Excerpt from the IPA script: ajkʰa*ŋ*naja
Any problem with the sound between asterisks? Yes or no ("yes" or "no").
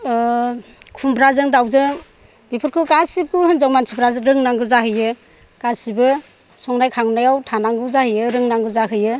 no